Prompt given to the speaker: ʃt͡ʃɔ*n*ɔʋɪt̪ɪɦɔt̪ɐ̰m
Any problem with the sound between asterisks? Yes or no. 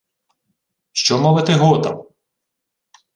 yes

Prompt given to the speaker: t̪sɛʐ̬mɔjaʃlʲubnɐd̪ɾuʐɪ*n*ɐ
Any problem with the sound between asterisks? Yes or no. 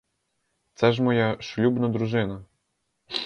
no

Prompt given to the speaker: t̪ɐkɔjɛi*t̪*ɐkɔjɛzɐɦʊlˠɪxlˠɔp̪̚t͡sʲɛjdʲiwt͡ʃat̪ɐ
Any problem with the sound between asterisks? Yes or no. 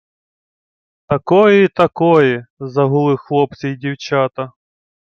no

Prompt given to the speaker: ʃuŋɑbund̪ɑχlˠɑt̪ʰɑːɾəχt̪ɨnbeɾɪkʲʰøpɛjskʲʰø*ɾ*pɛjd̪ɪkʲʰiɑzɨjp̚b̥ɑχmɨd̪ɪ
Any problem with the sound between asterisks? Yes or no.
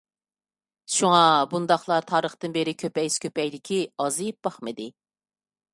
yes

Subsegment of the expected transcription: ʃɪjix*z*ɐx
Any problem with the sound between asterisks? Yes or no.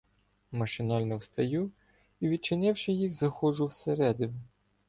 no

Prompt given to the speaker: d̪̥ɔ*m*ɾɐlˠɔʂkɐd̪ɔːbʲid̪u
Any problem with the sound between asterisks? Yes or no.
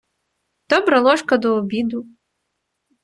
yes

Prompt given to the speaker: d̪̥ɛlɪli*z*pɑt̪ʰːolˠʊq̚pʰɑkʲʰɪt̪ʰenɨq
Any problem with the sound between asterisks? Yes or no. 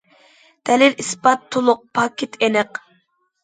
yes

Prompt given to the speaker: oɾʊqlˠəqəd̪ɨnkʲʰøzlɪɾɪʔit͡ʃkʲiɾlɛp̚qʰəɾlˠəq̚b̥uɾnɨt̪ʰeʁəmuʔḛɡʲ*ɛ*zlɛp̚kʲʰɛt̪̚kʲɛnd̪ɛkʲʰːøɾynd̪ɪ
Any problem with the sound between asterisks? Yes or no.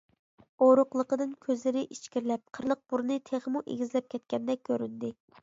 yes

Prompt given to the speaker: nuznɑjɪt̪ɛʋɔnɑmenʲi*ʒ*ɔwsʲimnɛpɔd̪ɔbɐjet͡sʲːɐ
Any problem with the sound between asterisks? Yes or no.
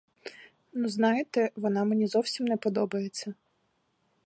yes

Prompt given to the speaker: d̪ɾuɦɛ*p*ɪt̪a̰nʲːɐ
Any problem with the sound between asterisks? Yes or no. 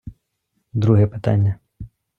no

